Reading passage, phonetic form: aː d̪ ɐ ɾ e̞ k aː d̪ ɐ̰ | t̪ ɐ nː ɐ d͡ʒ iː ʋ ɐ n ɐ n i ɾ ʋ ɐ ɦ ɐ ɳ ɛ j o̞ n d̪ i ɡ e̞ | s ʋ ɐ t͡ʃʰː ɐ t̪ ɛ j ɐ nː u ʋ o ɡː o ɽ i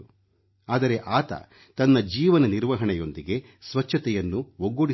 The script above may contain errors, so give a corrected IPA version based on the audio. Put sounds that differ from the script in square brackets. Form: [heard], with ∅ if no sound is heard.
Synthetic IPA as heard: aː d̪ ɐ ɾ e̞ [ʔ] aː [t̪] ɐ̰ | t̪ ɐ nː ɐ d͡ʒ iː ʋ ɐ n ɐ n i ɾ ʋ ɐ ɦ ɐ ɳ ɛ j o̞ n d̪ i ɡ e̞ | s ʋ ɐ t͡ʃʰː ɐ t̪ ɛ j ɐ nː u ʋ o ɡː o ɽ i